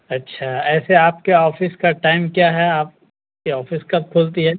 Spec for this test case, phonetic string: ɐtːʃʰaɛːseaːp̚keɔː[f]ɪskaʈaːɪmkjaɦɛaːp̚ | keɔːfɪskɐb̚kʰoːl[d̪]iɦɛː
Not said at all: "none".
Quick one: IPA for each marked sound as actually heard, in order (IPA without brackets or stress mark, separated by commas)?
f, t̪